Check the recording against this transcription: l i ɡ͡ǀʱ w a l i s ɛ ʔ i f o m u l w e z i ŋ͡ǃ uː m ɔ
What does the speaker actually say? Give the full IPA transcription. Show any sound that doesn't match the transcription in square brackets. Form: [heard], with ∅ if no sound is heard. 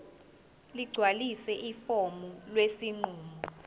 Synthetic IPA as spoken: l i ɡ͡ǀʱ w a l i s ɛ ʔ i f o m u l w e [s] i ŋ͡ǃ uː m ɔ